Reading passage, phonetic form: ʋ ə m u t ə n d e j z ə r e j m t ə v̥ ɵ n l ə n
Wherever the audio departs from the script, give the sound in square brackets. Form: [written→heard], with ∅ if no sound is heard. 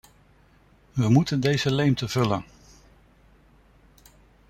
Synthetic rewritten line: ʋ ə m u t ə n d e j z ə [r→l] e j m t ə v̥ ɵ [n→∅] l ə n